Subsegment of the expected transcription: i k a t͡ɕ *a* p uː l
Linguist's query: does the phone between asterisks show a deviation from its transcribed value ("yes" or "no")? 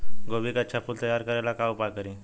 no